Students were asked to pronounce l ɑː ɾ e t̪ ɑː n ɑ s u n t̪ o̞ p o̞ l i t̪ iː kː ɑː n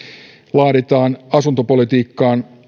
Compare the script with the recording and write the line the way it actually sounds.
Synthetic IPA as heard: l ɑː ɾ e t̪ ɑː n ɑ s u n t̪ o̞ p o̞ l i t̪ iː kː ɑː n